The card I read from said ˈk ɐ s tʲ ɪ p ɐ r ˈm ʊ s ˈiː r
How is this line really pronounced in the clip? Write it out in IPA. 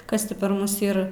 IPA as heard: ˈk ɐ s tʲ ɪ p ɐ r ˈm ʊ s ˈiː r